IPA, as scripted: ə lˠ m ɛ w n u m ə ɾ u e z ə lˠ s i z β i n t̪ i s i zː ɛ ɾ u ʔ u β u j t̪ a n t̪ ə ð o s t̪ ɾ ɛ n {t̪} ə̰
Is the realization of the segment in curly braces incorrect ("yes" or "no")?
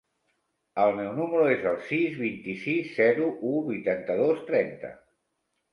no